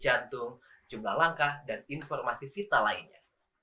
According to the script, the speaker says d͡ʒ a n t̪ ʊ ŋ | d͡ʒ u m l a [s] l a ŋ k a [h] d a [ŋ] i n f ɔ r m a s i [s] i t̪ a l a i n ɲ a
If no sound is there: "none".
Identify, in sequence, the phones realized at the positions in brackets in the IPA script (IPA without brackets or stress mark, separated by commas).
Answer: h, h, n, f